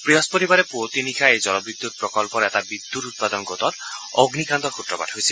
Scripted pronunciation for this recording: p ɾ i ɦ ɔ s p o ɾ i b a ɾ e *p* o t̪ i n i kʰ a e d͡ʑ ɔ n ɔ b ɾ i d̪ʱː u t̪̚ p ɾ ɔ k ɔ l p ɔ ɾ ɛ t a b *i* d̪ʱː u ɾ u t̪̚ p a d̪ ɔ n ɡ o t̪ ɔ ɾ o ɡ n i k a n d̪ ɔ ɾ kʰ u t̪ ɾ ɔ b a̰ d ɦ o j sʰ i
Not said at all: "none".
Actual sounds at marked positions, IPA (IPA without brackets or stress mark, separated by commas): p, i